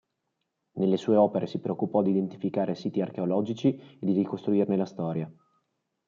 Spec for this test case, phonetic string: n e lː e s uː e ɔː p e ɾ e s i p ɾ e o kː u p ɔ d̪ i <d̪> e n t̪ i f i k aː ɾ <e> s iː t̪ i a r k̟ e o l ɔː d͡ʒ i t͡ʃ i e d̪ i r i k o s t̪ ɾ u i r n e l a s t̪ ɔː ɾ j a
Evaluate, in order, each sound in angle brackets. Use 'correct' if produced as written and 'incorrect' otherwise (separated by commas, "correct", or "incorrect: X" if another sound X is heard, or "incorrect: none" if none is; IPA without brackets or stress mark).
correct, correct